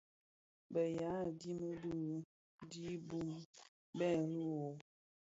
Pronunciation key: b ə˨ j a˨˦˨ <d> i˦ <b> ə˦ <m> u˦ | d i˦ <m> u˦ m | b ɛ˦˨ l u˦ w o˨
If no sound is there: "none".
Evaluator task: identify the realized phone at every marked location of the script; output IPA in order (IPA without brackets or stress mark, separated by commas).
d, m, b, b